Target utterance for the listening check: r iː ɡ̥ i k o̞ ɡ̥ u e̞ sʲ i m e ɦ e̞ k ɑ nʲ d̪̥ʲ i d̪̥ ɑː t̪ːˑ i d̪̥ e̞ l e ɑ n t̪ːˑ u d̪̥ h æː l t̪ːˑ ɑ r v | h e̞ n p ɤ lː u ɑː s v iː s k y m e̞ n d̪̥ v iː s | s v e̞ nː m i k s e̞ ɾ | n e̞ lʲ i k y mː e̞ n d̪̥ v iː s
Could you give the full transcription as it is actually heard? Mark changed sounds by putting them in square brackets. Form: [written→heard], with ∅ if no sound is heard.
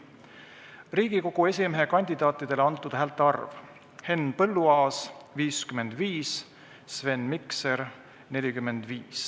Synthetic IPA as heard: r iː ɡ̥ i k o̞ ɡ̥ u e̞ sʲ i m e ɦ e̞ k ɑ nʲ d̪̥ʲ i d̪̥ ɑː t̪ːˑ i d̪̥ e̞ l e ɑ n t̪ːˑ u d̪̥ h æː l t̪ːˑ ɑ r v | h e̞ n p ɤ lː u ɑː s v iː s k y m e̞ n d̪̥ v iː s | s v e̞ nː m i k s e̞ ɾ | n e̞ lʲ i k y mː e̞ n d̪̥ v iː s